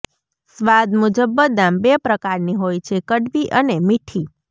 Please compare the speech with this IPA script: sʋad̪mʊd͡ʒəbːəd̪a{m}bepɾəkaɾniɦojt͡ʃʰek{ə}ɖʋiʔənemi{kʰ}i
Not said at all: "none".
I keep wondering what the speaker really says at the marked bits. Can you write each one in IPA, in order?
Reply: m, ə, ʈʰ

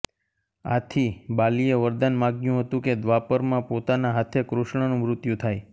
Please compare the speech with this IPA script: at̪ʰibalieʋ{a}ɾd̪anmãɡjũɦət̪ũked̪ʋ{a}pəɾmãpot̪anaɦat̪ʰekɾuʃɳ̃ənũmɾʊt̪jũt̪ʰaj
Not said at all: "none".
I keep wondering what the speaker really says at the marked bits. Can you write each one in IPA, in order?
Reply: ə, a

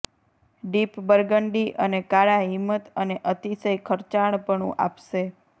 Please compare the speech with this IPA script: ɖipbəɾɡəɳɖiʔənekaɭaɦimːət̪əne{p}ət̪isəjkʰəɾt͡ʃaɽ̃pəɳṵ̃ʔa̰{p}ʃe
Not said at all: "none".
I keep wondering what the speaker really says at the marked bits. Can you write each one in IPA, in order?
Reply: ʔ, p

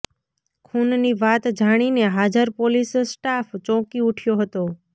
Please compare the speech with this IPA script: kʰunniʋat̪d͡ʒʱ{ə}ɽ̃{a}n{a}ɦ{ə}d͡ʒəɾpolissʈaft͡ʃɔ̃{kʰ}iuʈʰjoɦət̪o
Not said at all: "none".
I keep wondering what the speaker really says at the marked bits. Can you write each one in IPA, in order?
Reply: a, i, e, a, k

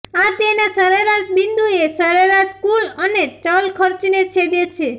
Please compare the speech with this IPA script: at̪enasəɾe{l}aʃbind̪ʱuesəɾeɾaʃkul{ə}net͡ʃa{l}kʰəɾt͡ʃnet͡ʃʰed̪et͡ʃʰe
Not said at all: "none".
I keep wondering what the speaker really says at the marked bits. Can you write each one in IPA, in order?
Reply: ɾ, ə, l

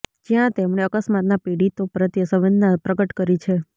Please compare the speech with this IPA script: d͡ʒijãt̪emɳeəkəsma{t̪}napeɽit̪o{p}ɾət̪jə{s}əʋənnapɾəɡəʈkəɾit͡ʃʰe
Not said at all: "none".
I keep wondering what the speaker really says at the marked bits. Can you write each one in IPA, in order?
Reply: t̪, p, s

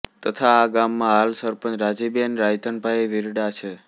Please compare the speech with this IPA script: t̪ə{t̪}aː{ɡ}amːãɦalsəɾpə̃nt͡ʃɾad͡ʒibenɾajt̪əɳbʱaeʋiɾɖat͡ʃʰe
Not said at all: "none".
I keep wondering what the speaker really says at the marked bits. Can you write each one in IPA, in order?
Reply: t̪ʰ, ɡ

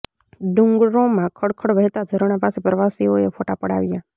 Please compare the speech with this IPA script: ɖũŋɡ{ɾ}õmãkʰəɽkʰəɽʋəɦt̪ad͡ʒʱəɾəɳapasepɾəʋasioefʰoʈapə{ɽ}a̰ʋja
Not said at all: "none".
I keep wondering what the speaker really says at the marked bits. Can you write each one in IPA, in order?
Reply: ɾ, ɽ

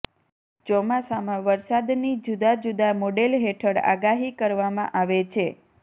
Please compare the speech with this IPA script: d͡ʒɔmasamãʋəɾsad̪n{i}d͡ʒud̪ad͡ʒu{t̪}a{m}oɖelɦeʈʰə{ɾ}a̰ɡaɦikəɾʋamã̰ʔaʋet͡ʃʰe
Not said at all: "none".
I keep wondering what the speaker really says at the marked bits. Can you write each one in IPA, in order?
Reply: i, d̪, m, ɽ

